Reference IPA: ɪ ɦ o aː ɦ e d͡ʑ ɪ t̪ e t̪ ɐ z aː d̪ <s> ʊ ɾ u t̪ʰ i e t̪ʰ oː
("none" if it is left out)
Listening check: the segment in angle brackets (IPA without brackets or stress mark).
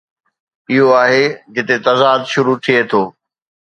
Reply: ʃ